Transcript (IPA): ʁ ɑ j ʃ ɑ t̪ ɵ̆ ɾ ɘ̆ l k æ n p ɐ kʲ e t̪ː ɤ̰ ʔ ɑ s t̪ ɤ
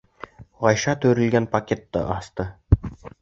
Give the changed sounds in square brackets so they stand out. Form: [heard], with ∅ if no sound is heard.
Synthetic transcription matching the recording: ʁ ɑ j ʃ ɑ t̪ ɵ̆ ɾ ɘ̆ l [ɡ] æ n p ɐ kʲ e t̪ː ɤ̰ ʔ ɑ s t̪ ɤ